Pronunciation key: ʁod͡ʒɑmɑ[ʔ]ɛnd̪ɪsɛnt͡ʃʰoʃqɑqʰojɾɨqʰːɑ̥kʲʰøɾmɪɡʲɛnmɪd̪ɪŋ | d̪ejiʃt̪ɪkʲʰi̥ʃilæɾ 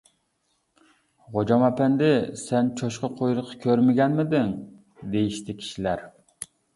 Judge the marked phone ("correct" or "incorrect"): incorrect